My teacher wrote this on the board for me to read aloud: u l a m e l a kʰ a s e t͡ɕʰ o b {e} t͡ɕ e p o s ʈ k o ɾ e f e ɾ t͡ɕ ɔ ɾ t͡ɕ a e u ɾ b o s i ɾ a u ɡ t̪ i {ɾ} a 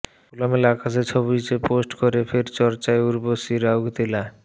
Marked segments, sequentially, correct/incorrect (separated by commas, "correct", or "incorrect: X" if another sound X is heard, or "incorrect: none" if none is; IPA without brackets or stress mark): incorrect: i, incorrect: l